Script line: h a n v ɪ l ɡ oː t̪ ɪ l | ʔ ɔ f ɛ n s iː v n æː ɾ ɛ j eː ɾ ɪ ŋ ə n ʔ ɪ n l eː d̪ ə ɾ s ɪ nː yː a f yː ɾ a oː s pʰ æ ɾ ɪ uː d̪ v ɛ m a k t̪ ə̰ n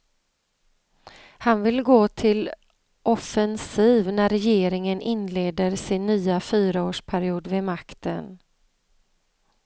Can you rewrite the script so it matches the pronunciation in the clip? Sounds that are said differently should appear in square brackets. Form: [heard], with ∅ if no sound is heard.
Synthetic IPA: h a n v ɪ l ɡ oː [t̪ʰ] ɪ l | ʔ ɔ f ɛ n s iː v n [æ] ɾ ɛ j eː ɾ ɪ ŋ ə n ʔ ɪ n l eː d̪ ə ɾ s ɪ nː yː a f yː ɾ a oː [ʂ] pʰ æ ɾ ɪ uː d̪ v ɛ m a k t̪ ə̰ n